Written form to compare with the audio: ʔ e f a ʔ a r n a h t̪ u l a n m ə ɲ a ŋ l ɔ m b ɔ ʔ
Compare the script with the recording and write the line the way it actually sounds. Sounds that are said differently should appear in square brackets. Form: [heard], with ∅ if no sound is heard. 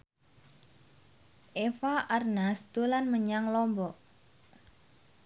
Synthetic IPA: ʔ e f a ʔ a r n a [s] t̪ u l a n m ə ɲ a ŋ l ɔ m b ɔ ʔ